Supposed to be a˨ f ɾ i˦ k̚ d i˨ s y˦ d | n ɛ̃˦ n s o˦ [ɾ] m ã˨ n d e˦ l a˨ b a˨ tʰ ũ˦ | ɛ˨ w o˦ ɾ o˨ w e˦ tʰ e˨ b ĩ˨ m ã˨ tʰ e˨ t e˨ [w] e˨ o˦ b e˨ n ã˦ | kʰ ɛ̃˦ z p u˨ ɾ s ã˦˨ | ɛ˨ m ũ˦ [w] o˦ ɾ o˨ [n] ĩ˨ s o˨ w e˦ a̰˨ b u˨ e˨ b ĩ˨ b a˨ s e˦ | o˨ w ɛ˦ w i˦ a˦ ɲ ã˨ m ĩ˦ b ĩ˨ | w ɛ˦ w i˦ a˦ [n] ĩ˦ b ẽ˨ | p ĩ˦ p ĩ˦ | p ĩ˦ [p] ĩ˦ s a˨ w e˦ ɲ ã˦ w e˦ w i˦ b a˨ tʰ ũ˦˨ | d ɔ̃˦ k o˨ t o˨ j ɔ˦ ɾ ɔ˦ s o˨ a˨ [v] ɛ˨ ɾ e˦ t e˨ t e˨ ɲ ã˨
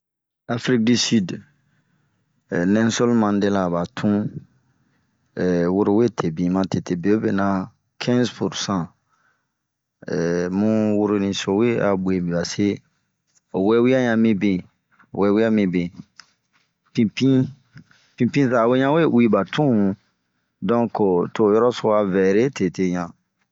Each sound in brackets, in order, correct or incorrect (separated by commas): incorrect, incorrect, correct, correct, incorrect, correct, correct